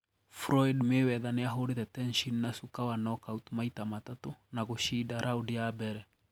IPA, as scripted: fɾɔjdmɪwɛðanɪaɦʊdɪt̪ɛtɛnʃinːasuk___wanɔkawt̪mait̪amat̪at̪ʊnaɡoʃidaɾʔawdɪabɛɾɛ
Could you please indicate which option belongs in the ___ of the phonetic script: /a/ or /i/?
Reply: a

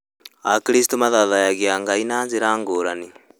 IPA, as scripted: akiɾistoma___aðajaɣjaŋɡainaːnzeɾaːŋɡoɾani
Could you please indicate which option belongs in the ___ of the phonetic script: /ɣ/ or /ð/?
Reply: ð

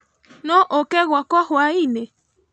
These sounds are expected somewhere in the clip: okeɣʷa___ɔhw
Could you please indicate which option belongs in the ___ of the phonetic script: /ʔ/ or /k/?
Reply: k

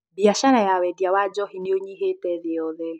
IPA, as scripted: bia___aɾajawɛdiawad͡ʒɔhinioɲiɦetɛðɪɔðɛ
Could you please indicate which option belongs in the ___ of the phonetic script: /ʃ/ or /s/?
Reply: ʃ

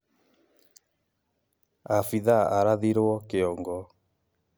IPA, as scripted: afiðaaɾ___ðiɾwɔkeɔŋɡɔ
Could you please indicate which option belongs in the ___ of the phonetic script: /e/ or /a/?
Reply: a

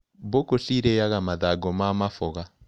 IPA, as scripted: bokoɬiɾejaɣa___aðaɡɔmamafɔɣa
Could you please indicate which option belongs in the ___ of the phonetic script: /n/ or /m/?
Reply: m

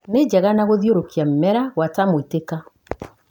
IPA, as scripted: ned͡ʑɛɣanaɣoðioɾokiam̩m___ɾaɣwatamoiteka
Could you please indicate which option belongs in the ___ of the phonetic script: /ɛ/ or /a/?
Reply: ɛ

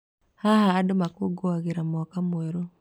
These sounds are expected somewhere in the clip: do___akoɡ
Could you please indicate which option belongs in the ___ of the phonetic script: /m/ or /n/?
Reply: m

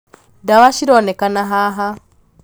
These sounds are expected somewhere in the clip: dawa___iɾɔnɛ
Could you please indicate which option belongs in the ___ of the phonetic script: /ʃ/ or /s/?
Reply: ʃ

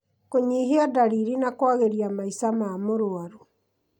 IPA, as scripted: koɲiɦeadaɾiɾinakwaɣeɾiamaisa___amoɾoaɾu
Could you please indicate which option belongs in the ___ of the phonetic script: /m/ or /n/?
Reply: m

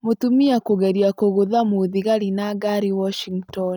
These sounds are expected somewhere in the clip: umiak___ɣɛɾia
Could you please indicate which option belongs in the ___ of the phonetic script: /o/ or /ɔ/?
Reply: o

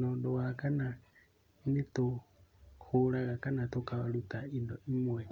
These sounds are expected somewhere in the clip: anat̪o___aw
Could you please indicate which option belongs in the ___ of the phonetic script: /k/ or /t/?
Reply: k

